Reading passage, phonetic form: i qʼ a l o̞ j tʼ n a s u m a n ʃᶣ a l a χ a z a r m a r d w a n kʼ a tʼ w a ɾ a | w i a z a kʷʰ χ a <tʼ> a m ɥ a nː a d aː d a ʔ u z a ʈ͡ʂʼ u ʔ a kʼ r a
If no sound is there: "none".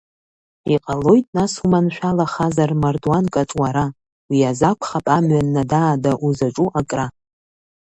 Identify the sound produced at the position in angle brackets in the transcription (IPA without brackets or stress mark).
pʼ